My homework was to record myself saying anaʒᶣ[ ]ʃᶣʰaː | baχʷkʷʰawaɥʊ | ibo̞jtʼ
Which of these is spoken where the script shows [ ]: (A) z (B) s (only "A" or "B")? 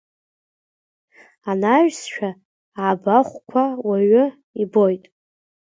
B